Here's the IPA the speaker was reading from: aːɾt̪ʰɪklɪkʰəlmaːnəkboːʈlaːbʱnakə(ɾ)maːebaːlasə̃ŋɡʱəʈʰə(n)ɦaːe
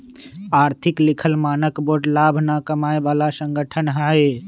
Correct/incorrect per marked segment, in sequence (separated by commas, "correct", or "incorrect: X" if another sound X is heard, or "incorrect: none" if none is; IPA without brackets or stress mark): incorrect: none, correct